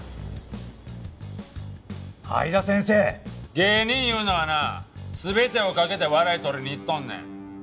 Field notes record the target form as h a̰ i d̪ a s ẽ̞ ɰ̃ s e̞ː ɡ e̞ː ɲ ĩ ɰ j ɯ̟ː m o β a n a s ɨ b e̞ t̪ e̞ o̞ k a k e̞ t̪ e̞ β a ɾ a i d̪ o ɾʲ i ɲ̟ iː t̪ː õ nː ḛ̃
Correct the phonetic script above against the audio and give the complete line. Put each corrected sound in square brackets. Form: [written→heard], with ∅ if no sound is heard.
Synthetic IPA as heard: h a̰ i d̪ a s ẽ̞ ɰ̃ s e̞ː ɡ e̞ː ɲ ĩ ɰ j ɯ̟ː [m→n] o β a n a s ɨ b e̞ t̪ e̞ o̞ k a k e̞ t̪ e̞ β a ɾ a i [d̪→t̪] o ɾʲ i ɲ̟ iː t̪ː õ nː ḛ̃